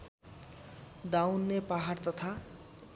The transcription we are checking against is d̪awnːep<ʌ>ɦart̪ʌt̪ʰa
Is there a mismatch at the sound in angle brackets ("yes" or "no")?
yes